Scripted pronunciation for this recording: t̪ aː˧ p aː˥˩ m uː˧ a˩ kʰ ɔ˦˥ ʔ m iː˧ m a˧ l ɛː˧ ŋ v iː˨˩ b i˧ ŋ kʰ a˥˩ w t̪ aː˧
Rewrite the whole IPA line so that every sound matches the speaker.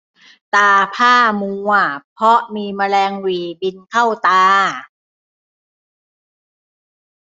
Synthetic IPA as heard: t̪ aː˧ pʰ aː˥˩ m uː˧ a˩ pʰ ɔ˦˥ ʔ m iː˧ m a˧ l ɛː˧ ŋ w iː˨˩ b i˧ n kʰ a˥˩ w t̪ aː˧